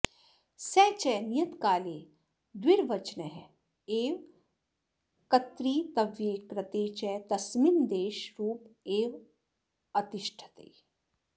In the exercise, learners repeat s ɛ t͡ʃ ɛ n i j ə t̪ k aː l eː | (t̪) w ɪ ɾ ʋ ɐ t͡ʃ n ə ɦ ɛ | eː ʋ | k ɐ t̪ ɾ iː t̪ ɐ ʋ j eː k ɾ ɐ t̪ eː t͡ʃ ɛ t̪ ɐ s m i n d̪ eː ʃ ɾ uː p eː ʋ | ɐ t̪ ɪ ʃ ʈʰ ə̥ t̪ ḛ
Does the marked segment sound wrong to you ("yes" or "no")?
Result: yes